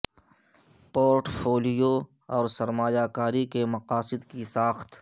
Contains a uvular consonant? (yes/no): yes